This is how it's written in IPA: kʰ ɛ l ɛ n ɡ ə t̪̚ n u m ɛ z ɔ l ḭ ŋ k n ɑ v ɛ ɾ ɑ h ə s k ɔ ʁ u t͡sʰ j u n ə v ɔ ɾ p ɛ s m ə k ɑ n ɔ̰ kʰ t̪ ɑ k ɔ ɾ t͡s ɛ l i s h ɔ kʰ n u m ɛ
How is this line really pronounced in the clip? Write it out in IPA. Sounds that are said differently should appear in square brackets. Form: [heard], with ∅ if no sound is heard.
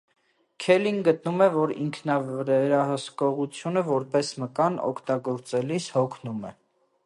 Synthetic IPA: kʰ ɛ l [i] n ɡ ə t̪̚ n u m ɛ [v] ɔ [ɾ] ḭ ŋ [kʰ] n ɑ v ɛ ɾ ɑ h ə s k ɔ ʁ u t͡sʰ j u n ə v ɔ ɾ p ɛ s m ə k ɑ n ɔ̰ kʰ t̪ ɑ [ɡ] ɔ ɾ t͡s ɛ l i s h ɔ kʰ n u m ɛ